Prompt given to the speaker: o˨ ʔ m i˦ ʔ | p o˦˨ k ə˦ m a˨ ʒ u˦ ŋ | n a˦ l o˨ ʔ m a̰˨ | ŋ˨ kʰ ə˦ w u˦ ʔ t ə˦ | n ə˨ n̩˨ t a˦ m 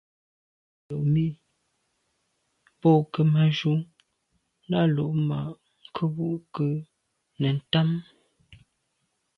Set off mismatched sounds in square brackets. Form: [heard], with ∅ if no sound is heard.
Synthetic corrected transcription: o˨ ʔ m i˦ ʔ | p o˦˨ k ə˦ m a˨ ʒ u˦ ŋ | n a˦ l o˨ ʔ m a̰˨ | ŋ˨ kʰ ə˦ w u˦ ʔ [k] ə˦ | n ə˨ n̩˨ t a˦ m